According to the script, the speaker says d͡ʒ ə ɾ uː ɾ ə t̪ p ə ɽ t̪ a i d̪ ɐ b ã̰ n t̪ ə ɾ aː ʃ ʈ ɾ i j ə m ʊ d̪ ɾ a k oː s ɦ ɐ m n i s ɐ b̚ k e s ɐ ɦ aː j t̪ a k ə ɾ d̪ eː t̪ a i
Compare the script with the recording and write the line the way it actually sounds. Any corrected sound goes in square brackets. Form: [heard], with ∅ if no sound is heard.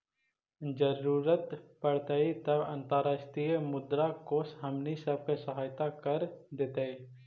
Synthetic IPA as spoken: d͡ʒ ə ɾ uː ɾ ə t̪ p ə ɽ t̪ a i [t̪] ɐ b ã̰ n t̪ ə ɾ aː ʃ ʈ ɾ i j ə m ʊ d̪ ɾ a k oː s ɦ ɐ m n i s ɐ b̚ k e s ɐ ɦ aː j t̪ a k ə ɾ d̪ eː t̪ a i